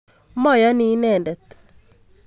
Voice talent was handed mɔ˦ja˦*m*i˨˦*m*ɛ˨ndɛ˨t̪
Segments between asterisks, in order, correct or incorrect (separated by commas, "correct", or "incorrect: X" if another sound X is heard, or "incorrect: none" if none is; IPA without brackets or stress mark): incorrect: n, incorrect: n